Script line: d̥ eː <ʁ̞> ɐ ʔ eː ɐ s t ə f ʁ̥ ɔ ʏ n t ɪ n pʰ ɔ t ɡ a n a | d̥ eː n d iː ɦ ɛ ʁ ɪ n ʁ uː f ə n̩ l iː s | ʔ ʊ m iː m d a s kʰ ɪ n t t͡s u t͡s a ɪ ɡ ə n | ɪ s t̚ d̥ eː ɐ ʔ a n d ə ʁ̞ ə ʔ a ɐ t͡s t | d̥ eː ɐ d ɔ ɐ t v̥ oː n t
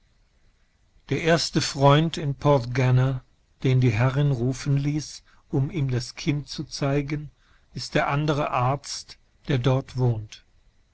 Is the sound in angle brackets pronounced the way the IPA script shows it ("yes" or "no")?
no